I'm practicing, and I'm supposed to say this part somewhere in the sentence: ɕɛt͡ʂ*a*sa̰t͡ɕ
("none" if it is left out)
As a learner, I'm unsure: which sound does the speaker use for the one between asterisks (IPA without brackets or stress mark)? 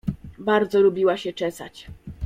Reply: ɛ